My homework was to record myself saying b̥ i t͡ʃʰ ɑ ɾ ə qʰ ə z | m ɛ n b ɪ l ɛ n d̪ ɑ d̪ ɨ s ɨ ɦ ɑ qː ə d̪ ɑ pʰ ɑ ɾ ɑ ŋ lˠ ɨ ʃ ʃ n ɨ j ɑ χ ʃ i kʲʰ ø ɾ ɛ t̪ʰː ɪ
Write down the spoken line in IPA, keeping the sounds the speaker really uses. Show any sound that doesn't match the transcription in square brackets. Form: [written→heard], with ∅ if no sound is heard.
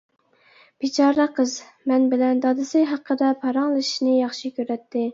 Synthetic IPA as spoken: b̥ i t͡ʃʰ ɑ ɾ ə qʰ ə z | m ɛ n b ɪ l ɛ n d̪ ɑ d̪ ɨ s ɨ ɦ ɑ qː ə d̪ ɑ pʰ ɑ ɾ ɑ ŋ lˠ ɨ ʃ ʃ n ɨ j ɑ χ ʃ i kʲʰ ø ɾ ɛ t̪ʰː ɪ

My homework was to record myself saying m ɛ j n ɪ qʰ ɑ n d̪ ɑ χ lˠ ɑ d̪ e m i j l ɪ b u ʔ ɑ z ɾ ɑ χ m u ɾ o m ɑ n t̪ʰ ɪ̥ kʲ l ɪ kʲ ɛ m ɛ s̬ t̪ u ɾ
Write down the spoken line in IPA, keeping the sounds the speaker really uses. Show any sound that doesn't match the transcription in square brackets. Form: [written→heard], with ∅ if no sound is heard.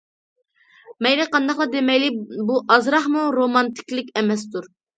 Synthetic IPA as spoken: m ɛ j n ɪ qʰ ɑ n d̪ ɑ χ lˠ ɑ d̪ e m [i→ɛ] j l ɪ b u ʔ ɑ z ɾ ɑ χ m u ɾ o m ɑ n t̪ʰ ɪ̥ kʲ l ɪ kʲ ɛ m ɛ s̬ t̪ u ɾ

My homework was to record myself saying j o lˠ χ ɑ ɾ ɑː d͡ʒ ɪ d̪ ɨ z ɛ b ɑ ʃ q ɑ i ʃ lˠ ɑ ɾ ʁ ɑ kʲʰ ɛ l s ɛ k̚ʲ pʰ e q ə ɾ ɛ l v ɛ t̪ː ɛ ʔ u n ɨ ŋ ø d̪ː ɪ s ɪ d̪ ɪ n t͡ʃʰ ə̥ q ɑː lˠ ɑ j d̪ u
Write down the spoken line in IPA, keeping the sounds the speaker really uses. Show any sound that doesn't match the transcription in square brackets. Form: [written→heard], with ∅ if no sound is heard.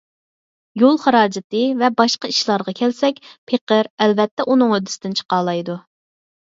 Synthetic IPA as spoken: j o lˠ χ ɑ ɾ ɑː d͡ʒ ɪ [d̪→t̪] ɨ [z→v] ɛ b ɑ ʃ q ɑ i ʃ lˠ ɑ ɾ ʁ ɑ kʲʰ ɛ l s ɛ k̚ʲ pʰ e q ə ɾ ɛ l v ɛ t̪ː ɛ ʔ u n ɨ ŋ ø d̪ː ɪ s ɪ d̪ ɪ n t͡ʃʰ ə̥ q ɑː lˠ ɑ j d̪ u

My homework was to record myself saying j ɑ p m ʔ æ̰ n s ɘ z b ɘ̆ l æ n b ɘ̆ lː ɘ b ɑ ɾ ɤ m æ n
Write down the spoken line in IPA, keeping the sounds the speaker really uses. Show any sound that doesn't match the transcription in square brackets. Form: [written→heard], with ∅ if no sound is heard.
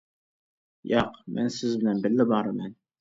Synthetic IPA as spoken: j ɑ [p→q] m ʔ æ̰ n s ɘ z b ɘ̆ l æ n b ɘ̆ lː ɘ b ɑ ɾ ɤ m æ n

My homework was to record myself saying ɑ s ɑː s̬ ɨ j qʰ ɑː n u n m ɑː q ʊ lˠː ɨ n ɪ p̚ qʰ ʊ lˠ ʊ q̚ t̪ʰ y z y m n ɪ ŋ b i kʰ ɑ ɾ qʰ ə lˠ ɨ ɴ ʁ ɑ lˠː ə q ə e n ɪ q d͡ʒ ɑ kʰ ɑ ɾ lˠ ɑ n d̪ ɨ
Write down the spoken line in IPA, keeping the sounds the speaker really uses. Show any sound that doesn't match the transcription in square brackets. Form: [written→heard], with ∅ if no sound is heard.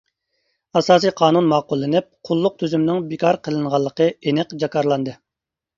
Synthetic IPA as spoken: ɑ s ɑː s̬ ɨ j qʰ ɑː n u n m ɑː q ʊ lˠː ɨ n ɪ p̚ qʰ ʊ [lˠ→lˠː] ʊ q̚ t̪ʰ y z y m n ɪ ŋ b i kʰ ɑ ɾ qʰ ə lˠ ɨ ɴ ʁ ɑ lˠː ə q ə e n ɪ q d͡ʒ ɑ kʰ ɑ ɾ lˠ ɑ n d̪ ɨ

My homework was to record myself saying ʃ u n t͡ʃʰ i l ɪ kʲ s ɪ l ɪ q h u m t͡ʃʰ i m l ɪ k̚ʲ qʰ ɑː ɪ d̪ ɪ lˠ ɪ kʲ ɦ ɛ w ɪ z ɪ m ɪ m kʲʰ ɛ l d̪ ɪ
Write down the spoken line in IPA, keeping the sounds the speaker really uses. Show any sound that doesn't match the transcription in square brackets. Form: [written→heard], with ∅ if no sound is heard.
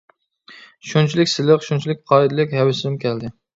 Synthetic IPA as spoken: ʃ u n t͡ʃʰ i l ɪ kʲ s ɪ l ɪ q [h→ʃ] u [m→n] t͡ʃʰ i [m→∅] l ɪ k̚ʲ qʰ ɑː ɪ d̪ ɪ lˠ ɪ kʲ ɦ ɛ w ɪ [z→s] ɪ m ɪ m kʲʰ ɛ l d̪ ɪ

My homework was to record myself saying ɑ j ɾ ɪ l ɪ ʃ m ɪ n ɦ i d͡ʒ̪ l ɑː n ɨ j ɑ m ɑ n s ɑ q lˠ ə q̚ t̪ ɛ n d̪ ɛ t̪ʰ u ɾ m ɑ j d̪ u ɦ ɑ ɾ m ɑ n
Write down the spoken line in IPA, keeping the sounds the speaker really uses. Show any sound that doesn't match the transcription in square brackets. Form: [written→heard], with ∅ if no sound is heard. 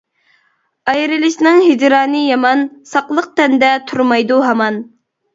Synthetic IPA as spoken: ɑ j ɾ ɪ l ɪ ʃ [m→n] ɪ [n→ŋ] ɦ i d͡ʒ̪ [l→ɾ] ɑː n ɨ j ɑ m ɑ n s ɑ q lˠ ə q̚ t̪ ɛ n d̪ ɛ t̪ʰ u ɾ m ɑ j d̪ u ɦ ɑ [ɾ→∅] m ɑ n

